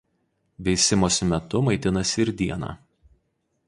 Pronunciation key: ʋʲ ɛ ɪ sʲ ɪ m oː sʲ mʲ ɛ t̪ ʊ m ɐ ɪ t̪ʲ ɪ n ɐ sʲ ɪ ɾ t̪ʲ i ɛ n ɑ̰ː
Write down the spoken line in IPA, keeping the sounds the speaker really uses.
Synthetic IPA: ʋʲ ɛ ɪ sʲ ɪ m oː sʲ mʲ ɛ t̪ ʊ m ɐ ɪ t̪ʲ ɪ n ɐ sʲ ɪ ɾ d̪ʲ i ɛ n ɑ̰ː

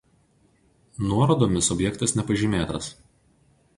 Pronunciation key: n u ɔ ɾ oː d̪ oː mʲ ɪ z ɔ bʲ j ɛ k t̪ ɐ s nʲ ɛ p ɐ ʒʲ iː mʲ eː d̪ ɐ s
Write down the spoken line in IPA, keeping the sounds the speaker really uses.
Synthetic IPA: n u ɔ ɾ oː d̪ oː mʲ ɪ s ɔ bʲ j ɛ k t̪ ɐ s nʲ ɛ p ɐ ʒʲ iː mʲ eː t̪ ɐ s

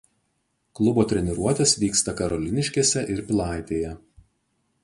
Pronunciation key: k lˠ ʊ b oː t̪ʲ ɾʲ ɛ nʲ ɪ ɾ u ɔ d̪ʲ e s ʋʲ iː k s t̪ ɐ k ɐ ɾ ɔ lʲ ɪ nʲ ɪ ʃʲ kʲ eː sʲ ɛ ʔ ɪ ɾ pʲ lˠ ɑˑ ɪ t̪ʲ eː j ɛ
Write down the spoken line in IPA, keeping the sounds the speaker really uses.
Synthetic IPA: k lˠ ʊ b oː t̪ʲ ɾʲ ɛ nʲ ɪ ɾ u ɔ t̪ʲ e s ʋʲ iː k s t̪ ɐ k ɐ ɾ ɔ lʲ ɪ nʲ ɪ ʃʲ kʲ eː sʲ ɛ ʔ ɪ ɾ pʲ lˠ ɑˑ ɪ t̪ʲ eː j ɛ

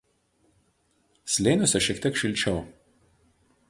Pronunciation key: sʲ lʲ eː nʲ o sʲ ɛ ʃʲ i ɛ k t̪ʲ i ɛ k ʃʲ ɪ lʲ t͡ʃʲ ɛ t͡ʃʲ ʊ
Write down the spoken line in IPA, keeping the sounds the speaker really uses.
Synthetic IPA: sʲ lʲ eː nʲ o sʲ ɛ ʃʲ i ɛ k t̪ʲ i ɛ k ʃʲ ɪ lʲ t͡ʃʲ ɛ ʊ

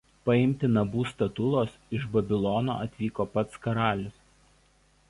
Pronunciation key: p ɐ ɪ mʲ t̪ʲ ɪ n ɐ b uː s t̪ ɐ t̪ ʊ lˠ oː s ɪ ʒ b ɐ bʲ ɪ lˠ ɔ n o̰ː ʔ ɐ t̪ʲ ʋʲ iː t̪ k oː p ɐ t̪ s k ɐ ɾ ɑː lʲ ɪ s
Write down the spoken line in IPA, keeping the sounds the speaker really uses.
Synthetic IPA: p ɐ ɪ mʲ t̪ʲ ɪ n ɐ b uː s t̪ ɐ t̪ ʊ lˠ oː s ɪ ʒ b ɐ bʲ ɪ lˠ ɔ n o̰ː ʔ ɐ t̪ʲ ʋʲ iː k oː p ɐ t̪ s k ɐ ɾ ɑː lʲ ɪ s

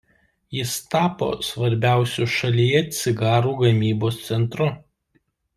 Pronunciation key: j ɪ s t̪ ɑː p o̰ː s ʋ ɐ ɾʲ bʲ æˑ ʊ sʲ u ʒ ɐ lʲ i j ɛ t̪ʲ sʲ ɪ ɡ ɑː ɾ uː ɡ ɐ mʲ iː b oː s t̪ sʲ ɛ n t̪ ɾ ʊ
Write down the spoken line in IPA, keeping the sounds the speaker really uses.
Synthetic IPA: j ɪ s t̪ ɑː p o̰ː s ʋ ɐ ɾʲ bʲ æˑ ʊ sʲ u ʃ ɐ lʲ i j ɛ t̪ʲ sʲ ɪ ɡ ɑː ɾ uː ɡ ɐ mʲ iː b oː s t̪ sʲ ɛ n t̪ ɾ ʊ

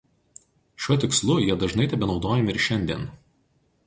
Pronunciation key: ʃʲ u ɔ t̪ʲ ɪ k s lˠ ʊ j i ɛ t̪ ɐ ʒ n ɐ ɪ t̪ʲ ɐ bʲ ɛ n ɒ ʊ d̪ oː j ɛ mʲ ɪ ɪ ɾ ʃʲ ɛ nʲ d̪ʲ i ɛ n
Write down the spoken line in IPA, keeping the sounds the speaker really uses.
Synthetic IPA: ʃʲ u ɔ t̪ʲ ɪ k s lˠ ʊ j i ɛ d̪ ɐ ʒ n ɐ ɪ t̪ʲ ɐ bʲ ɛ n ɒ ʊ d̪ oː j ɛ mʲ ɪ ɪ ɾ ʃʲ ɛ nʲ d̪ʲ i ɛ n

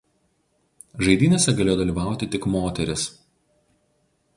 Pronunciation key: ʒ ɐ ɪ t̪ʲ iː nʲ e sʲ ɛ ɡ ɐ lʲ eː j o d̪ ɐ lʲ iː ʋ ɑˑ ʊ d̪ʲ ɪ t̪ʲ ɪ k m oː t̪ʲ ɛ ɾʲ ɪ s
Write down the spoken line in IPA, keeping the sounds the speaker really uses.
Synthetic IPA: ʒ ɐ ɪ d̪ʲ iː nʲ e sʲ ɛ ɡ ɐ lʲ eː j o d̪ ɐ lʲ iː ʋ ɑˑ ʊ t̪ʲ ɪ t̪ʲ ɪ k m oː t̪ʲ ɛ ɾʲ ɪ s

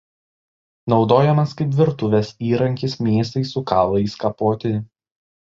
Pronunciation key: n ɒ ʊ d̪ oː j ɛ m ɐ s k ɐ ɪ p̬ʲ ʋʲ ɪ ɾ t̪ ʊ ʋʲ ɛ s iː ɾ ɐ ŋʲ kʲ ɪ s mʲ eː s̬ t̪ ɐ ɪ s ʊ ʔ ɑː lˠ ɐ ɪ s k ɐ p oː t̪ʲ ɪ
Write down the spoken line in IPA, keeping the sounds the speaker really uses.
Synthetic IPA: n ɒ ʊ d̪ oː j ɛ m ɐ s k ɐ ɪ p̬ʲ ʋʲ ɪ ɾ t̪ ʊ ʋʲ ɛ s iː ɾ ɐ ŋʲ kʲ ɪ s mʲ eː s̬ t̪ ɐ ɪ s ʊ k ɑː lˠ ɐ ɪ s k ɐ p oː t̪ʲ ɪ

